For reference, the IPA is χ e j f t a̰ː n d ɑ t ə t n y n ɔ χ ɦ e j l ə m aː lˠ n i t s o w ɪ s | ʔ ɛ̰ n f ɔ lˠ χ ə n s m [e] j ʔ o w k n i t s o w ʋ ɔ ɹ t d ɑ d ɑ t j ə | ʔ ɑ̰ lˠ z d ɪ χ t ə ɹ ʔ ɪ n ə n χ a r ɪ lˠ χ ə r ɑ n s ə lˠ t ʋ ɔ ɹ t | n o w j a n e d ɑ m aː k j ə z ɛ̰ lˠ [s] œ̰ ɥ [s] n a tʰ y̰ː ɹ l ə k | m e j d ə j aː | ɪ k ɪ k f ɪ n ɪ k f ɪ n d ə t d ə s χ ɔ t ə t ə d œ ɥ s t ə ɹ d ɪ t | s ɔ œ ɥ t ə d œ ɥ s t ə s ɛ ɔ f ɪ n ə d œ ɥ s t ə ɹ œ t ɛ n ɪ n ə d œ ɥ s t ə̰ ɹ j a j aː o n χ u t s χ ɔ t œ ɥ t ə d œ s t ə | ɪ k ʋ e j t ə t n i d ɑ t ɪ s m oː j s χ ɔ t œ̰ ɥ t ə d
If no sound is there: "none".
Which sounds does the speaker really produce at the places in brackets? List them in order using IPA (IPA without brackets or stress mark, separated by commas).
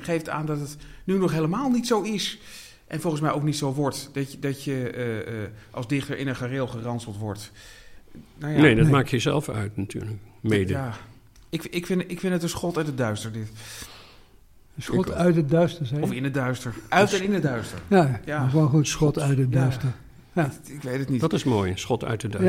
ɛ, f, t